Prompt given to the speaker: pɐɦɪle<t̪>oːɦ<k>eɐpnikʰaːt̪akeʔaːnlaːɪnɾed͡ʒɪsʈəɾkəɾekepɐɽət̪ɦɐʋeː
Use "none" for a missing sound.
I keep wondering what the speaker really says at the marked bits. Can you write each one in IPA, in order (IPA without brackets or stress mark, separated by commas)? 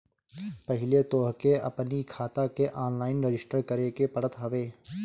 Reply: t̪, k